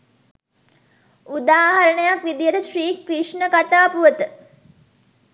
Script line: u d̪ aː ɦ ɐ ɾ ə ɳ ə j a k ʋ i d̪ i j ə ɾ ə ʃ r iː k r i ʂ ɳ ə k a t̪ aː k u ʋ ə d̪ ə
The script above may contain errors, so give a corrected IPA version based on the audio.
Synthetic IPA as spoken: u d̪ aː ɦ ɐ ɾ ə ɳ ə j a k ʋ i d̪ i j ə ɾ ə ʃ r iː k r i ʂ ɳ ə k a t̪ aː p u ʋ ə t̪ ə